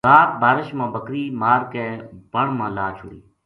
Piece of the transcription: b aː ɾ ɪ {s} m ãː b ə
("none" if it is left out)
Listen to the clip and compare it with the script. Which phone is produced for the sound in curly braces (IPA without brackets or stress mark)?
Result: ʃ